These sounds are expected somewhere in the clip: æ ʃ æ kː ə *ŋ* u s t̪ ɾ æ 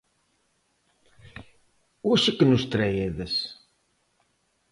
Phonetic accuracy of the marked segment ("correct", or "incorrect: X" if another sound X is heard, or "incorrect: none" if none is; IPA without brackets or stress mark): incorrect: n